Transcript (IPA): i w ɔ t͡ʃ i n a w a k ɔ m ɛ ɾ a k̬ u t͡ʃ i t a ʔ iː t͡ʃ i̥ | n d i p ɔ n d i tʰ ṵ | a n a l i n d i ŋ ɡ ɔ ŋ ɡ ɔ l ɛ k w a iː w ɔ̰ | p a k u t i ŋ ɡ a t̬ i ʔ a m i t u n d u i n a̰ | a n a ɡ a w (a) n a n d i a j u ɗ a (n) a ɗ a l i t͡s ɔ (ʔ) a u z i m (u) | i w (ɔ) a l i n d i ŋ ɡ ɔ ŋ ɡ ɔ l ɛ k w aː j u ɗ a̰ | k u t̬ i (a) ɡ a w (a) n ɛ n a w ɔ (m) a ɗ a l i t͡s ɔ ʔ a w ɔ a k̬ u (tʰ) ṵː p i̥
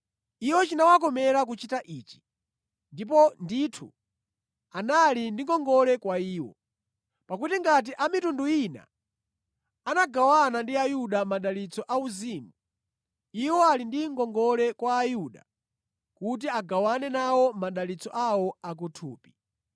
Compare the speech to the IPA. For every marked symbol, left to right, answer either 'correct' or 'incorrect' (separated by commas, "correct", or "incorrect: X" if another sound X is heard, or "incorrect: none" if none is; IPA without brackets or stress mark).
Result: correct, incorrect: m, correct, correct, correct, correct, correct, correct, correct